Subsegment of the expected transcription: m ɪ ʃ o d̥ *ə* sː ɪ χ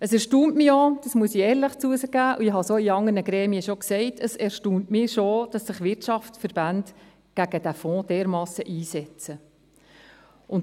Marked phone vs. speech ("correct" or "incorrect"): incorrect